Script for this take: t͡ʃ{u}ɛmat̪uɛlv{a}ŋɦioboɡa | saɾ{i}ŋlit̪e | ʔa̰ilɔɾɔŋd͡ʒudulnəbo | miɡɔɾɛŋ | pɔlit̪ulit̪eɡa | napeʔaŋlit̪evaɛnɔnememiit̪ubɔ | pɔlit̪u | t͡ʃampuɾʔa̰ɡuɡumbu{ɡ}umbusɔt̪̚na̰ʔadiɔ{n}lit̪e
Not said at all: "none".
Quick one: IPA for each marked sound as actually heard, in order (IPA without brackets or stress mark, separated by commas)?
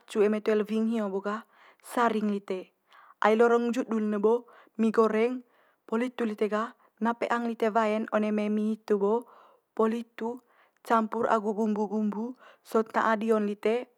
u, i, i, ɡ, n